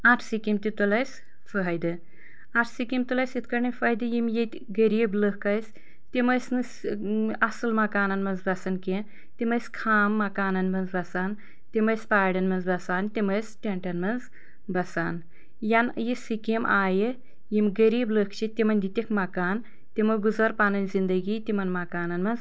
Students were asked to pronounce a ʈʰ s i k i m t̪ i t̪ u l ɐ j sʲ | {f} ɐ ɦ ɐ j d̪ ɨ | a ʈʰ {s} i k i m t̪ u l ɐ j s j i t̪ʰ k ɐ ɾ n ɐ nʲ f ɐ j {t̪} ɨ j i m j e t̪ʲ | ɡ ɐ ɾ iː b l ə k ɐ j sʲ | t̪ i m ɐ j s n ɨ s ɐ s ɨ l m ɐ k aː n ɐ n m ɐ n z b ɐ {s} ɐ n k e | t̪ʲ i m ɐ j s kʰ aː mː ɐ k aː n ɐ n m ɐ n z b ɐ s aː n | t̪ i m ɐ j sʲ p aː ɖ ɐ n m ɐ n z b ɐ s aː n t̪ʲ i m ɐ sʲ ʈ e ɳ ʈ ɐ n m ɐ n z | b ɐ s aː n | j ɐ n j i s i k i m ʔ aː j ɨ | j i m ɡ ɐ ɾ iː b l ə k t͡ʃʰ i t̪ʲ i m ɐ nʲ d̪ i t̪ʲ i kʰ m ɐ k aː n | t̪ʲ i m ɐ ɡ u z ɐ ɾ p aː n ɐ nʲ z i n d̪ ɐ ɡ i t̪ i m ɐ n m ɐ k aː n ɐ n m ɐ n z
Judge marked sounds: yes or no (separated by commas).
yes, yes, no, yes